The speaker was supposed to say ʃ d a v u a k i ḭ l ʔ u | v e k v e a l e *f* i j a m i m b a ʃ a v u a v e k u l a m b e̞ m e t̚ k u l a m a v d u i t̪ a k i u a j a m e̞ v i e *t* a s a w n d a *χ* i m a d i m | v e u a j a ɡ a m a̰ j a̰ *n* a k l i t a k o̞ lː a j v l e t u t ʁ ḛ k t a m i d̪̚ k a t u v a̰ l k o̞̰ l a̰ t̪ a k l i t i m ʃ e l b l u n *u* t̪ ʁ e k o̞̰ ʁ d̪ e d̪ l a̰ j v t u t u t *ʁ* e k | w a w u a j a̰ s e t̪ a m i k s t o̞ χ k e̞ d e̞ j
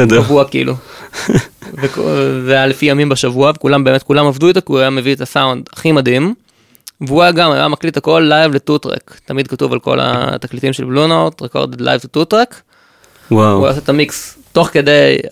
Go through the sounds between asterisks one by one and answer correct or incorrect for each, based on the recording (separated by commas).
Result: correct, correct, correct, incorrect, incorrect, correct